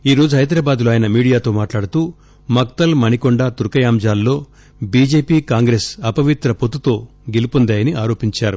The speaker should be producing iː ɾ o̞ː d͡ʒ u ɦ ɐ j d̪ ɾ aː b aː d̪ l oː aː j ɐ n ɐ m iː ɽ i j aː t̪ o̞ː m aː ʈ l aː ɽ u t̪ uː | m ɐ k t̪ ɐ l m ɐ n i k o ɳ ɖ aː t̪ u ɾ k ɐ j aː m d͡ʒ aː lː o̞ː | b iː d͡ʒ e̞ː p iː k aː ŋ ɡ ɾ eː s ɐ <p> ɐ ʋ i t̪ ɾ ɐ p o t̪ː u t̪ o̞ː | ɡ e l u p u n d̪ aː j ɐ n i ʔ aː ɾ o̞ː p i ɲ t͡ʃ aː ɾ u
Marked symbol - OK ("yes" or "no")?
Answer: yes